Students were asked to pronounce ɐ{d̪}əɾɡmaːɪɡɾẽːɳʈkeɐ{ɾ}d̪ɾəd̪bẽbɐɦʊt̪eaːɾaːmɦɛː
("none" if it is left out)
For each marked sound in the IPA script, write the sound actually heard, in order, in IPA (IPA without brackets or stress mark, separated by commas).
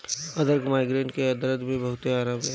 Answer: d̪, none